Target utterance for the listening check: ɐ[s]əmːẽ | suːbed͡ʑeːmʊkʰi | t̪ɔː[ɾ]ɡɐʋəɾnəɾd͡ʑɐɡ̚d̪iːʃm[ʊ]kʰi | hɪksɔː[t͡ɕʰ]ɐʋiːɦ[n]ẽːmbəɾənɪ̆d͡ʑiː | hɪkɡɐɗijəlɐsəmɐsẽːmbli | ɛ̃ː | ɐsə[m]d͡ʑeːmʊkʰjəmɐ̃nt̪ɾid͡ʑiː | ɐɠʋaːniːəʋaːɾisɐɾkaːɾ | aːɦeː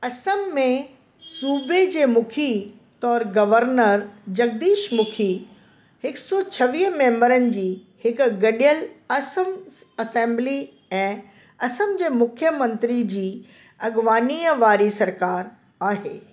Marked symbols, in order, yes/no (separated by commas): yes, yes, yes, yes, no, yes